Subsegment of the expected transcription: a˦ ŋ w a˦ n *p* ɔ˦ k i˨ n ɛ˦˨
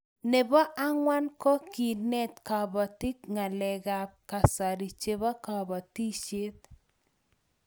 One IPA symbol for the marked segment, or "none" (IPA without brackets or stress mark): k